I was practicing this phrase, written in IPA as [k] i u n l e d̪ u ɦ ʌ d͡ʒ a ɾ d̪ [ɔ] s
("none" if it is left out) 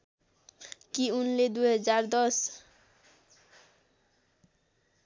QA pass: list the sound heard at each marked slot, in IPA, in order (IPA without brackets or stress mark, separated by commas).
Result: k, ɔ